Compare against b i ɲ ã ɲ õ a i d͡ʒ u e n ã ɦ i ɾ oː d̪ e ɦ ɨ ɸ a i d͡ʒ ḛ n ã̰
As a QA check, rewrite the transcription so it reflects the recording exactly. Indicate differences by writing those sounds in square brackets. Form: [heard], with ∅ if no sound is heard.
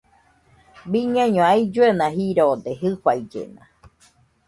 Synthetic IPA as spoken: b i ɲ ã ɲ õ a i d͡ʒ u e n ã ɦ i ɾ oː d̪ e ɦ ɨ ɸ a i d͡ʒ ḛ n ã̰